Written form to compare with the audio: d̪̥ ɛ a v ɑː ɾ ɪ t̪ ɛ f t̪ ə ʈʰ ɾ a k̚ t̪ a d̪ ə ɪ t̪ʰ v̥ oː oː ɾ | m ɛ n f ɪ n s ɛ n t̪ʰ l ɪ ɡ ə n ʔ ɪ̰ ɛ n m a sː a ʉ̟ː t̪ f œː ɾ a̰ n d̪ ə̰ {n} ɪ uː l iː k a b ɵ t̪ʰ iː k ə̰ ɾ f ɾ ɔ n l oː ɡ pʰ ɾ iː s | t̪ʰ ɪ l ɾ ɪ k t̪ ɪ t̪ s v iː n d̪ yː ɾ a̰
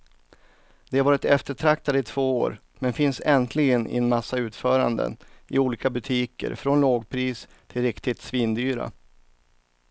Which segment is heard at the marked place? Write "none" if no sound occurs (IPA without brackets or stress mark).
n